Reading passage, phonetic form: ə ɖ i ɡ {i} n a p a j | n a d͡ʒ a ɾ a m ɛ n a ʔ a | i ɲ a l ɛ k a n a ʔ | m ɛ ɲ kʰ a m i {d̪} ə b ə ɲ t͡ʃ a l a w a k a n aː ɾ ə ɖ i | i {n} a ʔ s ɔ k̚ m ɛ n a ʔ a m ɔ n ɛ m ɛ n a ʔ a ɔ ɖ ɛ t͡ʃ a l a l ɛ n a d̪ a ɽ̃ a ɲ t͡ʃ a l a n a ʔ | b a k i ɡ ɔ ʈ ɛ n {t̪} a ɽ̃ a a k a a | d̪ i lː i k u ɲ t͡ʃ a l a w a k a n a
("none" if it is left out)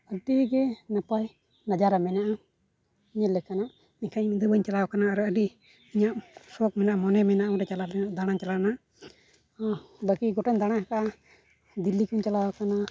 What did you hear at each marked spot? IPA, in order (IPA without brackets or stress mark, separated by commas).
ɛ, d̪, ɲ, d̪